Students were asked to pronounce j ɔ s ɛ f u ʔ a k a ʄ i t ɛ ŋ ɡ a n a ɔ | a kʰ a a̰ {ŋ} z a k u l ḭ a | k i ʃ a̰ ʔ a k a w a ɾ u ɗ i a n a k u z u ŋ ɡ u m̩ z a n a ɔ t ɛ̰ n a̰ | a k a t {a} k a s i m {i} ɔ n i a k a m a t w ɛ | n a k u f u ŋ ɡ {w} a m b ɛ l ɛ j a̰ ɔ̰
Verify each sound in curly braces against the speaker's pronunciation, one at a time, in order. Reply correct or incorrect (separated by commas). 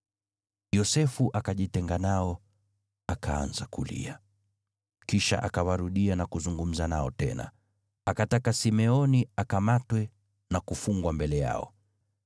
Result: incorrect, correct, incorrect, correct